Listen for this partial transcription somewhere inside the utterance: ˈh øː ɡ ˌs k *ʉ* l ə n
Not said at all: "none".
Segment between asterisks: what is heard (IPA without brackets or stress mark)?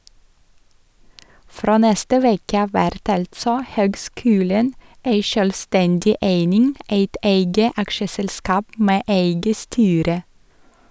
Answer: ʉː